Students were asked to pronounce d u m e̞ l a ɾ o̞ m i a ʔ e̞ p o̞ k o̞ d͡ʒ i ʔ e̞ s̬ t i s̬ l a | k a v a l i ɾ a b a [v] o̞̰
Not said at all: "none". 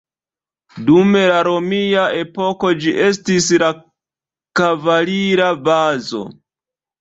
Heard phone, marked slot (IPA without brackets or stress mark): z